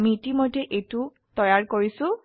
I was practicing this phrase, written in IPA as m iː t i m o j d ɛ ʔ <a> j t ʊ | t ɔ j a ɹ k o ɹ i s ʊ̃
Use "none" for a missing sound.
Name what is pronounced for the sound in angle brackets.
e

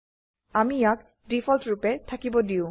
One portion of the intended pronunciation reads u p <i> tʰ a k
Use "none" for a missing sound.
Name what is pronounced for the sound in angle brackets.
ɛ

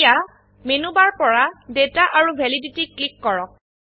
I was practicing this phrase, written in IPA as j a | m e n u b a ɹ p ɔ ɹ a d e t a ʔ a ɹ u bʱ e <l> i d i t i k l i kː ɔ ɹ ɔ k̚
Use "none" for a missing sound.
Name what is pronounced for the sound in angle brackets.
l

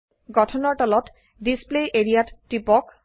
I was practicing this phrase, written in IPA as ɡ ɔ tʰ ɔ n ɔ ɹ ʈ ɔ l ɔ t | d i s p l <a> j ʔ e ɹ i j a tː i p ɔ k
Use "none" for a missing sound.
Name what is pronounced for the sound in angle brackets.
e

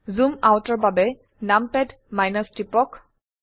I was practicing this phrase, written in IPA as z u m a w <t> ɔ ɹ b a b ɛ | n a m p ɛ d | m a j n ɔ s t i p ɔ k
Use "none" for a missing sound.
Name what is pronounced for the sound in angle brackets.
t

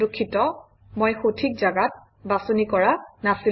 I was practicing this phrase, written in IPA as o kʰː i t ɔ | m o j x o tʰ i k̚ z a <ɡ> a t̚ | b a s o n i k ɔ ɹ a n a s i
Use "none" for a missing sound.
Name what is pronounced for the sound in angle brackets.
ɡ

